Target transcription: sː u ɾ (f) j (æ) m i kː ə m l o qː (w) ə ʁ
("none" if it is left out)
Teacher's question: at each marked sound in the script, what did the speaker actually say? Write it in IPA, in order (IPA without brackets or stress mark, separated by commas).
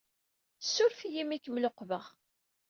f, i, v